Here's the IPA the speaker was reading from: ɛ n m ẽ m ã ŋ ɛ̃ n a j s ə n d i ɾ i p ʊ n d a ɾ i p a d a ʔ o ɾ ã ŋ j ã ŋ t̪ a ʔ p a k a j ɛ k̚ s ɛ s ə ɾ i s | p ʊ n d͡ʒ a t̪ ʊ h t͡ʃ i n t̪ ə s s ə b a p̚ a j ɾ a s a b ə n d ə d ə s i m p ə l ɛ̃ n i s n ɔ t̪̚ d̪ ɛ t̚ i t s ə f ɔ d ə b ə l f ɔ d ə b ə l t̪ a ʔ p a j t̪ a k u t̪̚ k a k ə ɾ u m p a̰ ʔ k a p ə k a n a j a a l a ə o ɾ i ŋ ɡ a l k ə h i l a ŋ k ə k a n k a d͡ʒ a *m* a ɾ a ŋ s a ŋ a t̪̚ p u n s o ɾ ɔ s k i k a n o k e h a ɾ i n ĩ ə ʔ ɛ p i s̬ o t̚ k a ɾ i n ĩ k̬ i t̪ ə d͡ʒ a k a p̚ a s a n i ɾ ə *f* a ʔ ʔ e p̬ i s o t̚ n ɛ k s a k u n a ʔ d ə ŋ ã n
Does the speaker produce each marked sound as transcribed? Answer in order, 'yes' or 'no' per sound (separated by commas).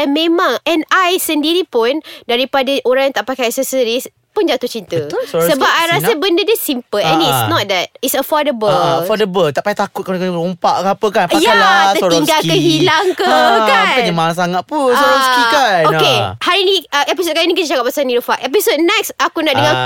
yes, yes